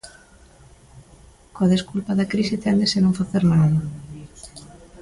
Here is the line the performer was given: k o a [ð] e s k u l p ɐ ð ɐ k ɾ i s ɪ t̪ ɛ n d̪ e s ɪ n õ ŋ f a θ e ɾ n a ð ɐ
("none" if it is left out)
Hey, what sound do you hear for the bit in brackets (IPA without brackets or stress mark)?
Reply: ð